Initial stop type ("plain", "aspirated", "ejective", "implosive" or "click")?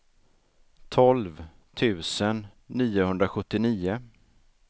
aspirated